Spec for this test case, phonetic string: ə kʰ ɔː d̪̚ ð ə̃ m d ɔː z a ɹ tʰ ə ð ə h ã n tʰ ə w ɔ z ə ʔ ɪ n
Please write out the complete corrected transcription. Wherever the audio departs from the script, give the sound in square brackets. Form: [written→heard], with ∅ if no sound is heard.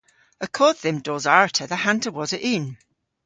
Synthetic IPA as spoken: ə kʰ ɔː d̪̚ ð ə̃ m d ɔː z a ɹ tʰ ə ð ə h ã n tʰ ə w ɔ z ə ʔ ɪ n